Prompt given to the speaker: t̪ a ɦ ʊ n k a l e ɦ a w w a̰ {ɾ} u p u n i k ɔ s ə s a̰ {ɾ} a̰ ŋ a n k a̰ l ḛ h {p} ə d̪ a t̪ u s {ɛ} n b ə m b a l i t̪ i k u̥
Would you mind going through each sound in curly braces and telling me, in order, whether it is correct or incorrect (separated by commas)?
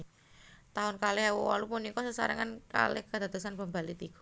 incorrect, correct, incorrect, incorrect